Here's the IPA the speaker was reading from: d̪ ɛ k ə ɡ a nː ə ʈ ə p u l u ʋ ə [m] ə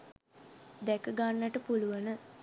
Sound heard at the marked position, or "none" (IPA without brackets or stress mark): n